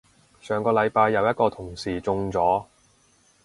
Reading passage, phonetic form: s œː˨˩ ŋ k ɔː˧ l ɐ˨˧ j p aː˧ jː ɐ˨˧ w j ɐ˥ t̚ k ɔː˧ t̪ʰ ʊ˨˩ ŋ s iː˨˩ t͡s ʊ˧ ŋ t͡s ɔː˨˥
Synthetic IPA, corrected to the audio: s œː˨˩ ŋ k ɔː˧ l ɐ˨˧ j p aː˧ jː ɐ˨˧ w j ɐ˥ t̚ k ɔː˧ t̪ʰ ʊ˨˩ ŋ s iː˨˩ t͡s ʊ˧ ŋ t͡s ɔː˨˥